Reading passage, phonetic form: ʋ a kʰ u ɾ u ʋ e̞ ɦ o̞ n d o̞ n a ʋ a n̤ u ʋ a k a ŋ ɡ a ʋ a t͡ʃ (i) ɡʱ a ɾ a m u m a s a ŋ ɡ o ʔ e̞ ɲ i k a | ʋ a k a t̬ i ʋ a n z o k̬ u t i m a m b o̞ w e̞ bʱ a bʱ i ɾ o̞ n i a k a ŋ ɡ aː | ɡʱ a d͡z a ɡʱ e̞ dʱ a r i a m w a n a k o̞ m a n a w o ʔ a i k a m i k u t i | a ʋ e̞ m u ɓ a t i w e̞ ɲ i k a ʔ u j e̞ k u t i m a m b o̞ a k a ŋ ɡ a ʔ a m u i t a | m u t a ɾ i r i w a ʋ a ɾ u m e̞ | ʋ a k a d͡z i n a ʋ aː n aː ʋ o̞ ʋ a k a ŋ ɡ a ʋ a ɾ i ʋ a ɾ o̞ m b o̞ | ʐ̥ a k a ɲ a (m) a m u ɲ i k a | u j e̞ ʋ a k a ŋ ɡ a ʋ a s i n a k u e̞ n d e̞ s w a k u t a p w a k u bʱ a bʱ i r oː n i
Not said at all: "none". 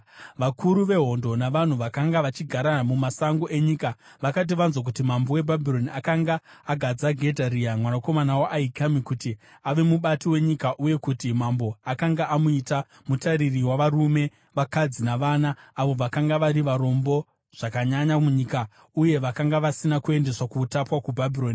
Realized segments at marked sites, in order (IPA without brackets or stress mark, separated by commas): i, ɲ